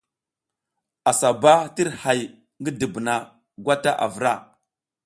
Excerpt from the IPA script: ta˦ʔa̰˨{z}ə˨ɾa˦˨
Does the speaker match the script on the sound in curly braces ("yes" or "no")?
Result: no